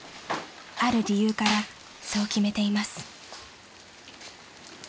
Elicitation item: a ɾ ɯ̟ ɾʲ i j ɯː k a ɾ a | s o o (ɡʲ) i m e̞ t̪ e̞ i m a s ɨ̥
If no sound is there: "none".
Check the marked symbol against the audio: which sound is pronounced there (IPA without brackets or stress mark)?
kʲ